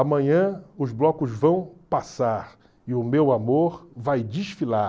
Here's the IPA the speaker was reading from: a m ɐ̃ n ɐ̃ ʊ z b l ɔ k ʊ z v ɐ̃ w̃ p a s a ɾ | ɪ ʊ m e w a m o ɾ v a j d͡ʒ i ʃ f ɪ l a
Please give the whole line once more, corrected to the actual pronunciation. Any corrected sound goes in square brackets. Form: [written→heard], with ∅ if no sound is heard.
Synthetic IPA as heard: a m ɐ̃ [n→ɲ] ɐ̃ ʊ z b l ɔ k ʊ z v ɐ̃ w̃ p a s a ɾ | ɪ ʊ m e w a m o ɾ v a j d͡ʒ i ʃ f [ɪ→i] l a